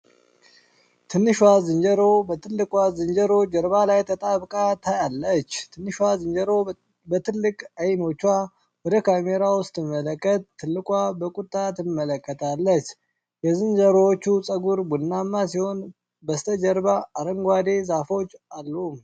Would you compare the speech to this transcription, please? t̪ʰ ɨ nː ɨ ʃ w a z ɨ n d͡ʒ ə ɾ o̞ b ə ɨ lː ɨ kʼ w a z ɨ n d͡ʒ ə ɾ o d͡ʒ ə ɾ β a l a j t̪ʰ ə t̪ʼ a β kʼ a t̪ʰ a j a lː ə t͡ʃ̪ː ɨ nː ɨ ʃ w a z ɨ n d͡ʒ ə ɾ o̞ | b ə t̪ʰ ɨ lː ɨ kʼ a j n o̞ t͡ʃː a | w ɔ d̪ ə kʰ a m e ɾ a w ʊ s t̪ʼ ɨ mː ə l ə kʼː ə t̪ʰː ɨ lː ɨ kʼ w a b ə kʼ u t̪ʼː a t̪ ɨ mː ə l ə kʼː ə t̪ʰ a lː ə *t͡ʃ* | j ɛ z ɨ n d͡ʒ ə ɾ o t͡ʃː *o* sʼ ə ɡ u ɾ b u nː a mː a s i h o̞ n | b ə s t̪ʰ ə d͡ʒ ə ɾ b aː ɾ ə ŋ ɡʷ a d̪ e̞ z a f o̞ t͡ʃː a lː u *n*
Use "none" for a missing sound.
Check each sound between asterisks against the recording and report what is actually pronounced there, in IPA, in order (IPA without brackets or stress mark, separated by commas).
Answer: t͡ʃ, u, m